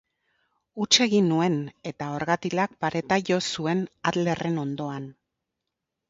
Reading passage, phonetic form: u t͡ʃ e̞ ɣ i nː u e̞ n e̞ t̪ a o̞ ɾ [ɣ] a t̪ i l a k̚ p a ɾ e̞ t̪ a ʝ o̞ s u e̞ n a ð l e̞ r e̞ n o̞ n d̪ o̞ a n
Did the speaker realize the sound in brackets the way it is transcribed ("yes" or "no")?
yes